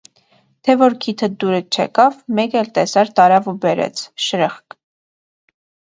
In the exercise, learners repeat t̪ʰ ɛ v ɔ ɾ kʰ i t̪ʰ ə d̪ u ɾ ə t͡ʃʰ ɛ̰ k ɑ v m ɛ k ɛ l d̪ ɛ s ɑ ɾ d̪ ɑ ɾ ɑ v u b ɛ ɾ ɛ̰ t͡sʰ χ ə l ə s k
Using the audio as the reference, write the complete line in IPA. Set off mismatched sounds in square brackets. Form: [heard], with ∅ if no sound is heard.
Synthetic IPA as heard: t̪ʰ ɛ v ɔ ɾ kʰ i t̪ʰ ə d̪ u ɾ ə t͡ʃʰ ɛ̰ k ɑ v m ɛ k ɛ l [t̪] ɛ s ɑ ɾ [t̪] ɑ ɾ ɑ v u b ɛ ɾ ɛ̰ t͡sʰ [ʃ] ə [ɾ] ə [χ] k